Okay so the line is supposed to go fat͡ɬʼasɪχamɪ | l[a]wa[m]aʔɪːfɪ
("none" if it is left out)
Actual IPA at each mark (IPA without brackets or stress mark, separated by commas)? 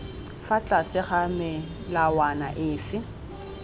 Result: a, n